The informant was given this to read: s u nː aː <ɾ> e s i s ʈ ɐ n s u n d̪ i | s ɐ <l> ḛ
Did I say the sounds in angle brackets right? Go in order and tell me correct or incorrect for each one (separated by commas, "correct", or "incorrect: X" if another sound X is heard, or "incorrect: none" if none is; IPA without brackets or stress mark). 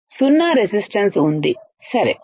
correct, incorrect: ɾ